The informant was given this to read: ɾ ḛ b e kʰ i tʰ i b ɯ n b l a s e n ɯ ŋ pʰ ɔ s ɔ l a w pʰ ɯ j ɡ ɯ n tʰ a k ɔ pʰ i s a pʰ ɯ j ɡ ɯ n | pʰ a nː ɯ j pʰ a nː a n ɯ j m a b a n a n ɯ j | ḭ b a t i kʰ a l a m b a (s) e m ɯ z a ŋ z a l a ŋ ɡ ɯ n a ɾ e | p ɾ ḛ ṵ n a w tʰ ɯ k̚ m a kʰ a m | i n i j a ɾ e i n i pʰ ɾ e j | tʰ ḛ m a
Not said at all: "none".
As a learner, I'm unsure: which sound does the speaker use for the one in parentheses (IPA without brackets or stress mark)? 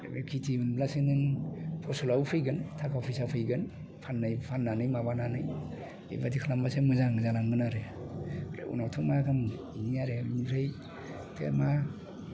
s